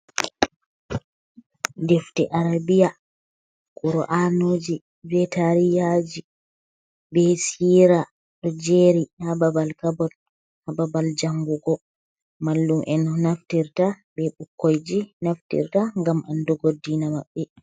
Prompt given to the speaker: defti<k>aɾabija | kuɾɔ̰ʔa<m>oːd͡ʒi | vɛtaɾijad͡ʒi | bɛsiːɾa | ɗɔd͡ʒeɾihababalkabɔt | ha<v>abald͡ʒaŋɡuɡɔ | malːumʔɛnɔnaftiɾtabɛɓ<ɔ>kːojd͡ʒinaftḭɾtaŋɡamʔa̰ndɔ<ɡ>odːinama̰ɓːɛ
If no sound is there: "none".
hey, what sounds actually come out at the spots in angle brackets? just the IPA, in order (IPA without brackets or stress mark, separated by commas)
ʔ, n, b, u, ɡ